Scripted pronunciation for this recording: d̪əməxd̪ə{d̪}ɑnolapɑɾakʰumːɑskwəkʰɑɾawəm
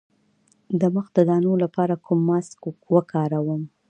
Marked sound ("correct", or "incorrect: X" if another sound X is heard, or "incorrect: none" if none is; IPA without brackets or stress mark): correct